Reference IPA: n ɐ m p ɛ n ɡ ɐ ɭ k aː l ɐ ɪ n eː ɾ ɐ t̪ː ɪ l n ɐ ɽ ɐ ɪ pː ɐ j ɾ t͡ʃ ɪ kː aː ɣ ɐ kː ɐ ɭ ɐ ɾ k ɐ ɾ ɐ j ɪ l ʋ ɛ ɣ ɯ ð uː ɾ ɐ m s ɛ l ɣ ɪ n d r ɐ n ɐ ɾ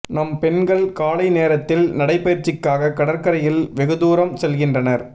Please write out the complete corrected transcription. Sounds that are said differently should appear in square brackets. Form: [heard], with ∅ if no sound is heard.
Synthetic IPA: n ɐ m p ɛ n ɡ ɐ ɭ k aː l ɐ ɪ n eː ɾ ɐ t̪ː ɪ l n ɐ ɽ ɐ ɪ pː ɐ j ɾ t͡ʃ ɪ kː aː ɣ ɐ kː ɐ [ɽ] ɐ ɾ k ɐ ɾ ɐ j ɪ l ʋ ɛ ɣ ɯ ð uː ɾ ɐ m s ɛ l ɣ ɪ n d r ɐ n ɐ ɾ